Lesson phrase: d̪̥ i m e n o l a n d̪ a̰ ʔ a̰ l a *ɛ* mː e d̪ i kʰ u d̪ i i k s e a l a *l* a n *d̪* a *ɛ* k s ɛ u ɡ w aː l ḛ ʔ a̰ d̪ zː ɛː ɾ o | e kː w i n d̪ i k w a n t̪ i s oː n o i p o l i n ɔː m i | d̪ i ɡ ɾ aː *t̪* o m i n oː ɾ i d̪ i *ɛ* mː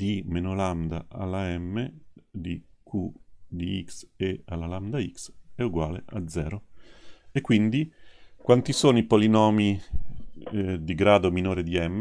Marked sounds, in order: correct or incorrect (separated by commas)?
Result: correct, correct, correct, incorrect, incorrect, correct